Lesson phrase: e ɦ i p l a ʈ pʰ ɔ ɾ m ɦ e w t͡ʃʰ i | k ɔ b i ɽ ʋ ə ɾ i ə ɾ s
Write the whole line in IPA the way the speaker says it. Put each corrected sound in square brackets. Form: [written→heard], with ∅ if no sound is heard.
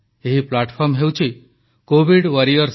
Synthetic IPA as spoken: e ɦ i p l a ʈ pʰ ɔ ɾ m ɦ e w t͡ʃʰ i | k [ɔ→o] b i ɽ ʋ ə ɾ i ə ɾ s